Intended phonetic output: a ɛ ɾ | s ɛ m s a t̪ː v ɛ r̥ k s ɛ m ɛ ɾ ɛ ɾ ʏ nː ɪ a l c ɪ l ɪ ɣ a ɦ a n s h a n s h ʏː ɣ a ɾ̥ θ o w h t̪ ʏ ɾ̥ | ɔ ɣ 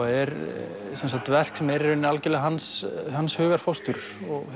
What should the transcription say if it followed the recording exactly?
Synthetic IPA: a ɛ ɾ | s ɛ n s a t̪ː v ɛ r̥ k s ɛ m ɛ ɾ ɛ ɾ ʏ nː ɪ a l c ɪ l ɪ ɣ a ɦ a n s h a n s h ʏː ɣ a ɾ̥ f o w s t̪ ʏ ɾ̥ | ɔ ɣ